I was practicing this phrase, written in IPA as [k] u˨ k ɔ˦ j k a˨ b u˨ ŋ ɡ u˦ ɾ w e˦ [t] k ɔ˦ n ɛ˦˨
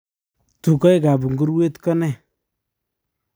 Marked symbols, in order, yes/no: no, yes

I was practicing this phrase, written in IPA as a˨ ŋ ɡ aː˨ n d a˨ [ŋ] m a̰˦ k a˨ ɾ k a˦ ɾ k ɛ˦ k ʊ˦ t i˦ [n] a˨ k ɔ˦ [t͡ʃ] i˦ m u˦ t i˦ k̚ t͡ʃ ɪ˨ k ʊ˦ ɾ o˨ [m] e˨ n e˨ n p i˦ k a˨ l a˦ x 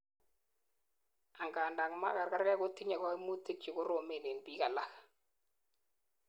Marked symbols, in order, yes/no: yes, no, no, yes

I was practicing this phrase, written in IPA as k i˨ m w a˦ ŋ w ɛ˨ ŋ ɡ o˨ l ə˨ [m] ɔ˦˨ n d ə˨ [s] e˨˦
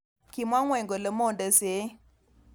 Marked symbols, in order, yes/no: yes, yes

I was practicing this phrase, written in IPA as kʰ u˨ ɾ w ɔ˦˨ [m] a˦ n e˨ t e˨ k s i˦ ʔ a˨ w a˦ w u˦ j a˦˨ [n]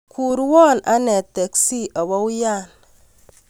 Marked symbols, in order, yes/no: no, yes

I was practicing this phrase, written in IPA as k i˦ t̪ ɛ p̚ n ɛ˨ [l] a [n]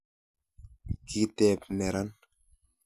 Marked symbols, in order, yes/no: no, yes

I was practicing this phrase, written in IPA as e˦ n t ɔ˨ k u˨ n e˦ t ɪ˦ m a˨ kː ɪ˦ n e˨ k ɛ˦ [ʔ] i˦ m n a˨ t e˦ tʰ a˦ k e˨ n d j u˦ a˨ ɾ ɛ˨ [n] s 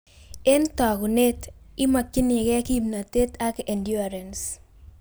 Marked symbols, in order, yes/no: no, yes

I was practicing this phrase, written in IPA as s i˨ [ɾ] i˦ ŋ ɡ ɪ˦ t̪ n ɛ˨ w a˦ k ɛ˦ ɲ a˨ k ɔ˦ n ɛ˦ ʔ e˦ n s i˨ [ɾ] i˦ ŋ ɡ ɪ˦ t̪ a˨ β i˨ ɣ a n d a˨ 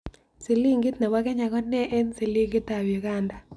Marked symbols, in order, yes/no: no, no

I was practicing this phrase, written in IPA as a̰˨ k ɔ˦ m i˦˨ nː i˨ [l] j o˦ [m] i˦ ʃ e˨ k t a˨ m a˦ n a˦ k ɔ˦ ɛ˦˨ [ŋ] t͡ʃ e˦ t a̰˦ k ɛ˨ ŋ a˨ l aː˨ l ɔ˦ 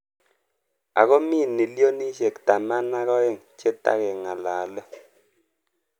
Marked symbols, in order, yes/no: yes, no, yes

